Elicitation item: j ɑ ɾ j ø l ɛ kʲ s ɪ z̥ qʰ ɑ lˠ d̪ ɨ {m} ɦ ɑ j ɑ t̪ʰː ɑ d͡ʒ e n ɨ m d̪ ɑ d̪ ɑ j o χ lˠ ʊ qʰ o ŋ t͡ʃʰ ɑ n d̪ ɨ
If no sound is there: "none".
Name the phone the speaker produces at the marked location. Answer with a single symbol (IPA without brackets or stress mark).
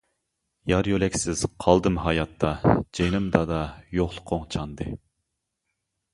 m